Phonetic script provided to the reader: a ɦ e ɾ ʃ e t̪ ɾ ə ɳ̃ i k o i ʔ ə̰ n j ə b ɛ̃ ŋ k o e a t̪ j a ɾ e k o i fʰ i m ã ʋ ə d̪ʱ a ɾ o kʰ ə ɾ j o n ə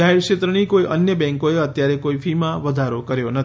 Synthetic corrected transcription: a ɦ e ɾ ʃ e t̪ ɾ ə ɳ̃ i k o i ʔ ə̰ n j ə b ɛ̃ ŋ k o e ə t̪ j a ɾ e k o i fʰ i m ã ʋ ə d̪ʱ a ɾ o k ə ɾ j o n ə